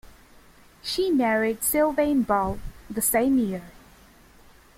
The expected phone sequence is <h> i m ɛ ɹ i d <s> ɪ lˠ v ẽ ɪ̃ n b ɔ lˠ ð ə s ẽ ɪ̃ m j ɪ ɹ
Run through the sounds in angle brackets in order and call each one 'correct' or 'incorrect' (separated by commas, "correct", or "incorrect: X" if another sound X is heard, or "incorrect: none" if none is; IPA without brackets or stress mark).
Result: incorrect: ʃ, correct